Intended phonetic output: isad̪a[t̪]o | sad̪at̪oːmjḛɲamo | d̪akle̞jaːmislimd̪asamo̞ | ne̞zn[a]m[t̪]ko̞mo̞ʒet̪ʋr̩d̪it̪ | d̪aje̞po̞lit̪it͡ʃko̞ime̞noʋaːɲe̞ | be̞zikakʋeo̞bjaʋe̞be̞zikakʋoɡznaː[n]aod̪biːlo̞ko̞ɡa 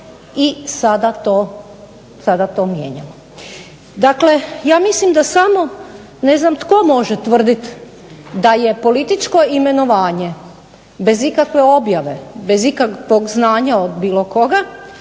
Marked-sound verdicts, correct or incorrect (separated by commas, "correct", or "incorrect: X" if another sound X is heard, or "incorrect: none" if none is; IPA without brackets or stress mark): correct, correct, correct, incorrect: ɲ